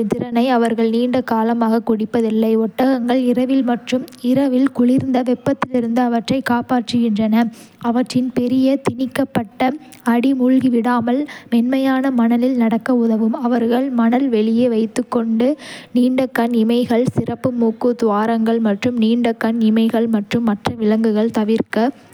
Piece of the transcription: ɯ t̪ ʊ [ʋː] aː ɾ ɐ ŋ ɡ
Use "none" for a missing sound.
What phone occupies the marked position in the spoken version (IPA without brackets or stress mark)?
ʋ